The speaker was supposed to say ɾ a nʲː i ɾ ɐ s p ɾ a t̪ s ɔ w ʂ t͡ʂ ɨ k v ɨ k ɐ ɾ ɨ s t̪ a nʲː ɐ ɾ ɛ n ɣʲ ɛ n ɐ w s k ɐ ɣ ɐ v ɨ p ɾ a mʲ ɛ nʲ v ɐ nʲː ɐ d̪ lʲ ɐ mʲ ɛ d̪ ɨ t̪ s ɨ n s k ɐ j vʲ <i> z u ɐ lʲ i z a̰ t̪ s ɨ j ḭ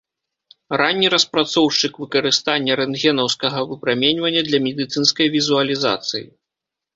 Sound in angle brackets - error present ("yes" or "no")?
no